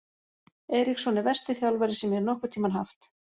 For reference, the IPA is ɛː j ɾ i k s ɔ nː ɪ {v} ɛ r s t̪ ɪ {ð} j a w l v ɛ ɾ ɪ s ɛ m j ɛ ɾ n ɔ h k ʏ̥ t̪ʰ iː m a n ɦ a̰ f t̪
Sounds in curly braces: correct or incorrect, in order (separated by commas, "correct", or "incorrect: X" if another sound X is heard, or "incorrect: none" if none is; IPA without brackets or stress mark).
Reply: correct, incorrect: θ